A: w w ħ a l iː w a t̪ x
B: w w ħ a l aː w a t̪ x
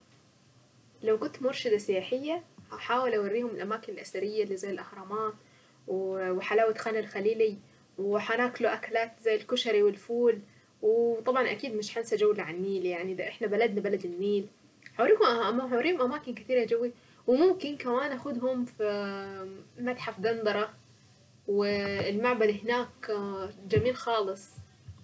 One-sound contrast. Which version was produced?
B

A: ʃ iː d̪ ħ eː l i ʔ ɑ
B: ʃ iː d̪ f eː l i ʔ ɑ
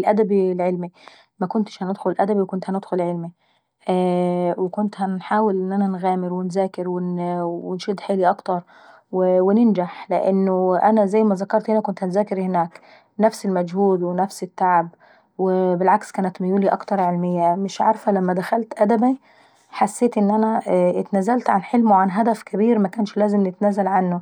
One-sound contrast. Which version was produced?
A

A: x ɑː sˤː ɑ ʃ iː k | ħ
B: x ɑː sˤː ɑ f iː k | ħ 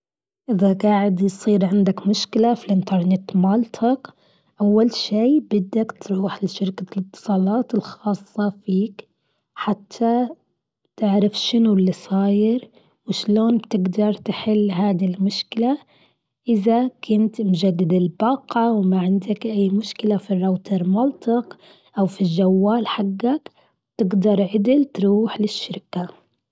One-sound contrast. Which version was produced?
B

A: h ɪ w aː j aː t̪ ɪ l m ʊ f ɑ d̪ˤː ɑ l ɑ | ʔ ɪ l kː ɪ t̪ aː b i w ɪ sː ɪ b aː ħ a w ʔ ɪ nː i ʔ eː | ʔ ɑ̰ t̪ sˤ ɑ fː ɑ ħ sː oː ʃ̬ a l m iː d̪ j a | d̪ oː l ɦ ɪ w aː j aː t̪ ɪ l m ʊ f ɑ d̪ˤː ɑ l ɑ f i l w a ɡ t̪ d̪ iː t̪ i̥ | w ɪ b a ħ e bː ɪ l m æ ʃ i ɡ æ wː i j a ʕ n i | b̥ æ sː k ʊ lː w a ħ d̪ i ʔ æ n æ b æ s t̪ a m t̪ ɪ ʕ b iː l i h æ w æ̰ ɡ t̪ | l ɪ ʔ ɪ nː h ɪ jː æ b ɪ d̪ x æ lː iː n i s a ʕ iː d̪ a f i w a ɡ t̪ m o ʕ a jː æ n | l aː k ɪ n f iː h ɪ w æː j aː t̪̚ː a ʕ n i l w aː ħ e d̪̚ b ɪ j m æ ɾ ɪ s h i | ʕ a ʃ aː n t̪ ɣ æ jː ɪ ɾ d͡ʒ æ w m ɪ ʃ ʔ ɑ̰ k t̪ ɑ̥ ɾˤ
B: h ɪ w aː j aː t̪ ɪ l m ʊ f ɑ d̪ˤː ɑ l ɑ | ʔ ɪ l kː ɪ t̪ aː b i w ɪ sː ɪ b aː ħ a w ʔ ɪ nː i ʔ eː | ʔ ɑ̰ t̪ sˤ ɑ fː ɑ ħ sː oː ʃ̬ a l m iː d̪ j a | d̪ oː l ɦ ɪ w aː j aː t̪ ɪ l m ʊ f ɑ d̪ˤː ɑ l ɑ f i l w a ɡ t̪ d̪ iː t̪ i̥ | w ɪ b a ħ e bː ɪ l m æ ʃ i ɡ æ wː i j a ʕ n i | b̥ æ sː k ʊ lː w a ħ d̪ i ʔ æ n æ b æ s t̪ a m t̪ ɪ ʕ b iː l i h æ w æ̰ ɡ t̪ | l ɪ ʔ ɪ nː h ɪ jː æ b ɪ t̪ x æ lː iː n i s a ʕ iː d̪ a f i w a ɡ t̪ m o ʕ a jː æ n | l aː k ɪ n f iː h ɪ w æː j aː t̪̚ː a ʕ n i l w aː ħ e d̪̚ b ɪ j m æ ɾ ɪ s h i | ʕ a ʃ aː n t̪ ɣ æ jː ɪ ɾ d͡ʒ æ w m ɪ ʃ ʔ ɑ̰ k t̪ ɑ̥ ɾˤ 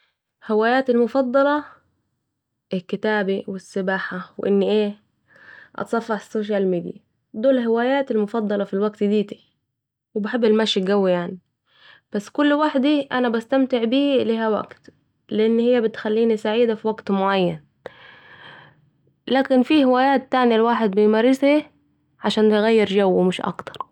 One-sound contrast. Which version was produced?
B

